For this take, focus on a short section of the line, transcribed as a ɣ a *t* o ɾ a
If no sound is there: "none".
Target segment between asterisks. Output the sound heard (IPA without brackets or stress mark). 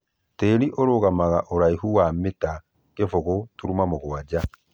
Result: ʔ